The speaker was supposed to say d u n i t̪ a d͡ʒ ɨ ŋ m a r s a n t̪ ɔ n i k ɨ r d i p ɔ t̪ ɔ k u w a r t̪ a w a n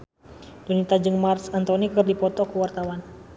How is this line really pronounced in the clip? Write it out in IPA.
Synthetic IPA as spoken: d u n i t̪ a d͡ʒ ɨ ŋ m a r s a n t̪ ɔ n i k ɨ r d i p ɔ t̪ ɔ k u w a r t̪ a w a n